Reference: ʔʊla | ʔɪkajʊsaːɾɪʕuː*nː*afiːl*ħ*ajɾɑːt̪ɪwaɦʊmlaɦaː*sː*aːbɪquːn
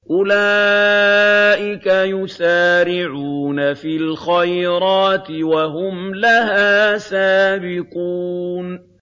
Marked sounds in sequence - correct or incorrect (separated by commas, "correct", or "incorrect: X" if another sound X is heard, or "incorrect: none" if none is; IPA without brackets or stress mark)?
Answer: incorrect: n, incorrect: x, incorrect: s